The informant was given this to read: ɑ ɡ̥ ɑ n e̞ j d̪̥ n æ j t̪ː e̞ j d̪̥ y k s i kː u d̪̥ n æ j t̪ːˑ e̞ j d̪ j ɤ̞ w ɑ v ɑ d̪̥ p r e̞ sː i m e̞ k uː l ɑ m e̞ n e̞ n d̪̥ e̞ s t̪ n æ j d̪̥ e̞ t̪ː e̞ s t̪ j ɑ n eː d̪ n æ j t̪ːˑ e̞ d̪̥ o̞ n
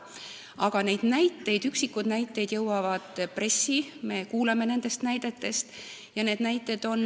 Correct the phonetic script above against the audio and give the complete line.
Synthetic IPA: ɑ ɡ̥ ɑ n e̞ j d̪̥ n æ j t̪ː e̞ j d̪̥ y k s i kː u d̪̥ n æ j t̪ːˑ e̞ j d̪ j ɤ̞ w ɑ v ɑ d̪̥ p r e̞ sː i m e̞ k uː l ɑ m e̞ n e̞ n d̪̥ e̞ s t̪ n æ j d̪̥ e̞ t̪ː e̞ s t̪ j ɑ n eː d̪ n æ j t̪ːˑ e̞ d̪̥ o̞ n